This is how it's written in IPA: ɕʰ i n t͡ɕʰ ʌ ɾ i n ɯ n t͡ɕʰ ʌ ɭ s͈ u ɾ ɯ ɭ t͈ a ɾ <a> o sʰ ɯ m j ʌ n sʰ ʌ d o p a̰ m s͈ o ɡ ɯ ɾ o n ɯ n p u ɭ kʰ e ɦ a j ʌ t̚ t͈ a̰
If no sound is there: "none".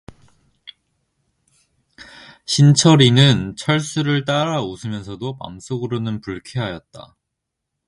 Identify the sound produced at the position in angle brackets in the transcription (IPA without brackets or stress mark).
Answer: a